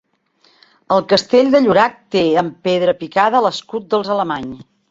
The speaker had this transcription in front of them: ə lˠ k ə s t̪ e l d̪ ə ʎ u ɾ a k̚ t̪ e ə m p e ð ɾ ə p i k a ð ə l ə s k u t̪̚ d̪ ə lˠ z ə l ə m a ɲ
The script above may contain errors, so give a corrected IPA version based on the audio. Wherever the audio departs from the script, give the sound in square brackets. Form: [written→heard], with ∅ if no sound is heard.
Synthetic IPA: ə lˠ k ə s t̪ e [l→ʎ] d̪ ə ʎ u ɾ a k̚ t̪ e ə m p e ð ɾ ə p i k a ð ə l ə s k u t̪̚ d̪ ə lˠ z ə l ə m a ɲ